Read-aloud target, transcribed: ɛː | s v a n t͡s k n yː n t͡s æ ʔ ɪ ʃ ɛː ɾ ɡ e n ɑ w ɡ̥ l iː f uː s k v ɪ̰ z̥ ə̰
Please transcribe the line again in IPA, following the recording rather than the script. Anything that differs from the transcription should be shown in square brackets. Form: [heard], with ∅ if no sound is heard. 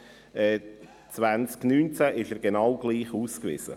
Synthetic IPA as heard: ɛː | [t͡s] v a n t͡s k n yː n t͡s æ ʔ ɪ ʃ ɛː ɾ ɡ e n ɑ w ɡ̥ l iː [χ] uː s k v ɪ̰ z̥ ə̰